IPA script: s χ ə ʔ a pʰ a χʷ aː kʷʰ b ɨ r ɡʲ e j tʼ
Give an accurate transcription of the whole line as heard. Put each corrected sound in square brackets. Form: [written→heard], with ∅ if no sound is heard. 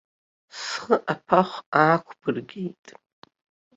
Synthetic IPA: s χ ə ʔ a pʰ a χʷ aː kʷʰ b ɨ r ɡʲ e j tʼ